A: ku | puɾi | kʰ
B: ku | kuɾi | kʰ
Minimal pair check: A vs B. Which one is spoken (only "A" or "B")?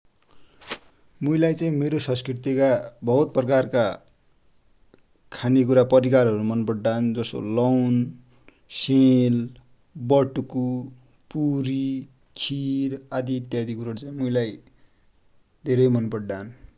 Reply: A